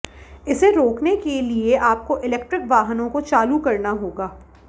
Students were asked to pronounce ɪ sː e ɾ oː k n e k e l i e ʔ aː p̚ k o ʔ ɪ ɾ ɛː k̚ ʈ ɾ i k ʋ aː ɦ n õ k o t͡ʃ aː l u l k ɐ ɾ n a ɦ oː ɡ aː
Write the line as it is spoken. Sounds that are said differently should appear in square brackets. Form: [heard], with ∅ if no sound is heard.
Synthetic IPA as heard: ɪ [s] e ɾ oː k n e k e l i e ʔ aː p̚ k o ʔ ɪ [l] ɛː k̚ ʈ ɾ [ɪ] k ʋ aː ɦ n õ k o t͡ʃ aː l u [∅] k ɐ ɾ n a ɦ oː ɡ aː